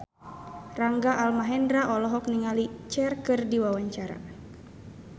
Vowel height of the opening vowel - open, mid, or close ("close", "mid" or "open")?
open